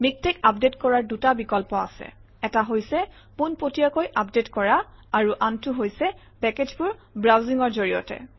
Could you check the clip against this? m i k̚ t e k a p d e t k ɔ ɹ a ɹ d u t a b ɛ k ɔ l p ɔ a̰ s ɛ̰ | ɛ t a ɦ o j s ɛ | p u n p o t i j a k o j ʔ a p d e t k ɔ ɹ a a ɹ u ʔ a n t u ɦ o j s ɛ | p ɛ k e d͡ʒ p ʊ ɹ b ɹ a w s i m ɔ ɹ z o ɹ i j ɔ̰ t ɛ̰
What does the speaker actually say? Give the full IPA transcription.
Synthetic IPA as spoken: m i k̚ t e k a p d e t k ɔ ɹ a ɹ d u t a b i k ɔ l p ɔ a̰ s ɛ̰ | ɛ t a ɦ o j s ɛ | p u n p o t i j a k o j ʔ a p d e t k ɔ ɹ a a ɹ u ʔ a n t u ɦ o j s ɛ | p ɛ k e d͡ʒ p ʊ ɹ b ɹ a w z i ŋ ɔ ɹ z o ɹ i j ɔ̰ t ɛ̰